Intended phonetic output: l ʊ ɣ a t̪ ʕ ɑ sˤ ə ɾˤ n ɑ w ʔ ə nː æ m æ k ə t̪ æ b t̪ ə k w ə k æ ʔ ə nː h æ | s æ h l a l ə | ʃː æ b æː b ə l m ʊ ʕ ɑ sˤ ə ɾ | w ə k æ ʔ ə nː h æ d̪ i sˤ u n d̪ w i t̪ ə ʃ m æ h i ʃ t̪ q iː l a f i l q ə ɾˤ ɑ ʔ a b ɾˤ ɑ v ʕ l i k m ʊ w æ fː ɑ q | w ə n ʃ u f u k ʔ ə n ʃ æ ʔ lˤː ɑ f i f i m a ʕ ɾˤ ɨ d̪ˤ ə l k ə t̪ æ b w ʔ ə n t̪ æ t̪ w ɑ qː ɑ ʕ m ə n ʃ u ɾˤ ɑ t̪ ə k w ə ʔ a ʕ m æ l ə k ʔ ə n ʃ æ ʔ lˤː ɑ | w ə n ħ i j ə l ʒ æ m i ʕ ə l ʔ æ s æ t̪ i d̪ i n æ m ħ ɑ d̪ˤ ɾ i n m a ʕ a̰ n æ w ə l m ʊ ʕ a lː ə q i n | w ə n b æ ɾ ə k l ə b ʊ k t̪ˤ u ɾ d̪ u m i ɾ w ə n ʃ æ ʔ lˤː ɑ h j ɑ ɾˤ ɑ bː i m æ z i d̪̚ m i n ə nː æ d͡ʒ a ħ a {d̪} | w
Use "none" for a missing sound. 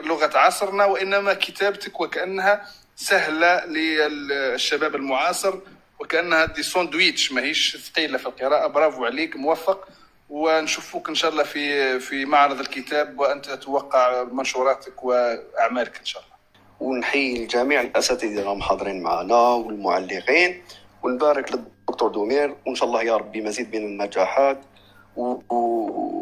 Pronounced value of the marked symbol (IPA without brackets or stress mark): t̪